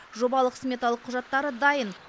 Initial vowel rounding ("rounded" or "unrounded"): rounded